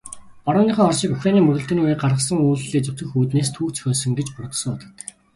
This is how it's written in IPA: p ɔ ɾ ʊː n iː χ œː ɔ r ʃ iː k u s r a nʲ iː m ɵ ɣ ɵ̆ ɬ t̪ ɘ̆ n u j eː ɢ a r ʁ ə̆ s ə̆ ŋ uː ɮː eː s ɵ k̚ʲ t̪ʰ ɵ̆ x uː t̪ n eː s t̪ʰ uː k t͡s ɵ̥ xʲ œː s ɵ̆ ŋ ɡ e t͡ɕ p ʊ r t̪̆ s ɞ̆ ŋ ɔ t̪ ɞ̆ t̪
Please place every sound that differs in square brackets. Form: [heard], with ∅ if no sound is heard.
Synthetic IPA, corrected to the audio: p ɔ ɾ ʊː n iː χ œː ɔ r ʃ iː k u [x] r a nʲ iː m ɵ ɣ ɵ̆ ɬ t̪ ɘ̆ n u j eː ɢ a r ʁ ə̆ s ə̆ ŋ uː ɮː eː [t͡s] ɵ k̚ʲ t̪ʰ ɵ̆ x uː t̪ n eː s t̪ʰ uː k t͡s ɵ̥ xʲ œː s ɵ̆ ŋ ɡ e t͡ɕ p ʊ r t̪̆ s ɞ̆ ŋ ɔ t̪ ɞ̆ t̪